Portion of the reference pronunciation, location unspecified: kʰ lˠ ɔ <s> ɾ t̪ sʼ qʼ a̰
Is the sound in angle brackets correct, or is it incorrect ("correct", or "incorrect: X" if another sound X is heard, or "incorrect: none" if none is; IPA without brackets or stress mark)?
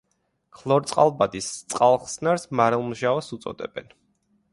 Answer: incorrect: none